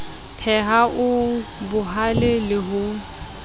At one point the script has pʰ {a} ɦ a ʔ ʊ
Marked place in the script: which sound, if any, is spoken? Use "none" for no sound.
ɛ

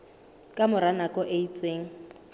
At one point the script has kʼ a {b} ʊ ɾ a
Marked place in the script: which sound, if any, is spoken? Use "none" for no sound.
m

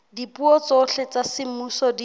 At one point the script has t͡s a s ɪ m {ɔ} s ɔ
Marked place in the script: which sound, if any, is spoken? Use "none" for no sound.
u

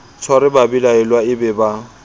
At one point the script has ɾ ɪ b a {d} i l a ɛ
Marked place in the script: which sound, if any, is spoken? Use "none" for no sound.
b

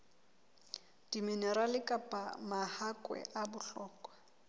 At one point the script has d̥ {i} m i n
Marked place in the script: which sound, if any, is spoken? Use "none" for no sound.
i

